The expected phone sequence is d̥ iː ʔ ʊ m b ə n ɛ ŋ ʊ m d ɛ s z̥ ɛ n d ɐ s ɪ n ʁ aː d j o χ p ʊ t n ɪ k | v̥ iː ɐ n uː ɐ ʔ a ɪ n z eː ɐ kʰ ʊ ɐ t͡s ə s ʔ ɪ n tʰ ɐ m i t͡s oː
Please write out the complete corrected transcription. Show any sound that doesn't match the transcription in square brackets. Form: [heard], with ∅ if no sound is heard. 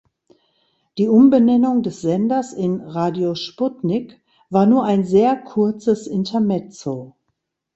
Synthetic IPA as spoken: d̥ iː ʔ ʊ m b ə n ɛ [n] ʊ [ŋ] d ɛ s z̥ ɛ n d ɐ s ɪ n ʁ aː d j o [ʃ] p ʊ t n ɪ k | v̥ [aː] ɐ n uː ɐ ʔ a ɪ n z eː ɐ kʰ ʊ ɐ t͡s ə s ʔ ɪ n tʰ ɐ m [ɛ] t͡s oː